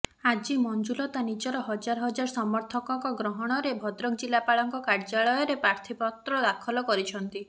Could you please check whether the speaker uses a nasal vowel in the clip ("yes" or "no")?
no